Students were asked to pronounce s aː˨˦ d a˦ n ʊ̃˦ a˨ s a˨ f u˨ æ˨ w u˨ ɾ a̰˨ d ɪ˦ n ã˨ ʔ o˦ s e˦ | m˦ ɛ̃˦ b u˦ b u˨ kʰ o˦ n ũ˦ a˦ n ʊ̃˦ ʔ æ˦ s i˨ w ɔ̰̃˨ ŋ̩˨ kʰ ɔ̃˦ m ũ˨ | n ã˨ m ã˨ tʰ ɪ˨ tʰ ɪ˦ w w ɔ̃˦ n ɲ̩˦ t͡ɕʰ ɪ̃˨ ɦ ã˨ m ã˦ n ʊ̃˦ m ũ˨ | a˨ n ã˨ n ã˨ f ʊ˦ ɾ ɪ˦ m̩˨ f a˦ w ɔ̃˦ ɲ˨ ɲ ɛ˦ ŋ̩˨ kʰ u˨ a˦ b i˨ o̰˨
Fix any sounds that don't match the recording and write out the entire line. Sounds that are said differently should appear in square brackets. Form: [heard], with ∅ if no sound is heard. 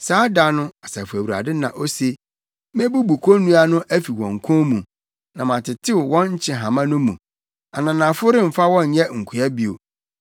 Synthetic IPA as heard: s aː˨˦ d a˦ n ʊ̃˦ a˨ s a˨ f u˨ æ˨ w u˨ ɾ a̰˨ d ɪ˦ n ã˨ ʔ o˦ s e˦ | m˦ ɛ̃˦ b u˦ b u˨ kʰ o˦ n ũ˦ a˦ n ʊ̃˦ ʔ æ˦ [f] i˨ w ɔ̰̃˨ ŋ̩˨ kʰ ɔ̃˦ m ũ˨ | n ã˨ m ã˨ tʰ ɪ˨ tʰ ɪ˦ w w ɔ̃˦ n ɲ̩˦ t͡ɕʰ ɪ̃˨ ɦ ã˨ m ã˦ n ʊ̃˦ m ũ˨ | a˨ n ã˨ n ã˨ f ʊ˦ ɾ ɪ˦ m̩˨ f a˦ w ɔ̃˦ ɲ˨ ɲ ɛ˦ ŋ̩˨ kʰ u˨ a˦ b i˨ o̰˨